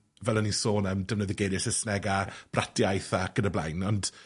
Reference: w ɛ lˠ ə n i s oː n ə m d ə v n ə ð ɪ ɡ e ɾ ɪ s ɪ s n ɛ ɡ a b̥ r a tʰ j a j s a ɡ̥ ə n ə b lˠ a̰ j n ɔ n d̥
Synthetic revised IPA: v ɛ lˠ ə n i s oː n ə m d ə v n ə ð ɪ ɡ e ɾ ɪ s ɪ s n ɛ ɡ a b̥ r a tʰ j a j θ a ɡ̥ ə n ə b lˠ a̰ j n ɔ n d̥